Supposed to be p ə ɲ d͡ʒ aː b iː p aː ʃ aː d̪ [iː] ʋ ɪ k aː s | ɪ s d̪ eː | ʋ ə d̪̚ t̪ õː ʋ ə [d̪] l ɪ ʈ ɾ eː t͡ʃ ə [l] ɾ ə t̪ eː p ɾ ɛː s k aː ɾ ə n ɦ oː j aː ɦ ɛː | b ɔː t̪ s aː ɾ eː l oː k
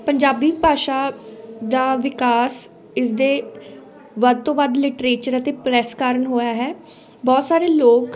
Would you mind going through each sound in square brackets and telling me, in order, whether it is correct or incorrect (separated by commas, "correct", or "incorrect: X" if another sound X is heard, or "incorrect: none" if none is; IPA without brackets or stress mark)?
incorrect: aː, correct, incorrect: none